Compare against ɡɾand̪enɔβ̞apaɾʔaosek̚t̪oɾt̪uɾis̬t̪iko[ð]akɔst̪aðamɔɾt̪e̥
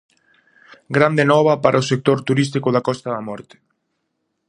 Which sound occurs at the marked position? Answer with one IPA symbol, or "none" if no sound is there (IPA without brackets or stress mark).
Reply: ð